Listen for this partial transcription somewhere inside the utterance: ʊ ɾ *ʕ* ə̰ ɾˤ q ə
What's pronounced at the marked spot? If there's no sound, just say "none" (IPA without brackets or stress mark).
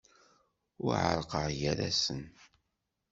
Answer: ʕ